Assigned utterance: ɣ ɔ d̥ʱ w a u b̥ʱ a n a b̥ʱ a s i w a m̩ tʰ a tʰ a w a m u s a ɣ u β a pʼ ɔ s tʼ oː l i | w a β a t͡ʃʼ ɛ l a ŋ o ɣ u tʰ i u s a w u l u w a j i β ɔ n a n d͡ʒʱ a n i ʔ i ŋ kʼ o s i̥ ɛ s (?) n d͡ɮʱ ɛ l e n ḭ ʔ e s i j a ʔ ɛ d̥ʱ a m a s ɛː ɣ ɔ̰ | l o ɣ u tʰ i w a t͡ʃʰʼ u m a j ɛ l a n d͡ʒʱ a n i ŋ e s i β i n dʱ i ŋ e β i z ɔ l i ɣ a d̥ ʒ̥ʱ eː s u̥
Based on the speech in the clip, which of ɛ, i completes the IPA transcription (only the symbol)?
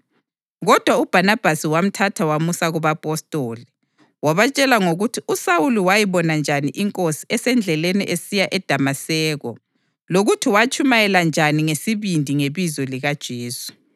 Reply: ɛ